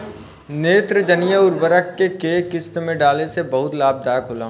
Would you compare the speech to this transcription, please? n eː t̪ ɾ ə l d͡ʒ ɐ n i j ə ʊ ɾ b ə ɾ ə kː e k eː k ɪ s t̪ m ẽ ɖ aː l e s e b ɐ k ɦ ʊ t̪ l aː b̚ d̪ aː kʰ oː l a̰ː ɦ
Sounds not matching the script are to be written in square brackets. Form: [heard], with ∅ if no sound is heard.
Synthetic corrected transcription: n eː t̪ ɾ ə [∅] d͡ʒ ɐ n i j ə ʊ ɾ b ə ɾ ə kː e k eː k ɪ s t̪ m ẽ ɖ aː l e s e b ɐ [∅] ɦ ʊ t̪ l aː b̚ d̪ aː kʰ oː l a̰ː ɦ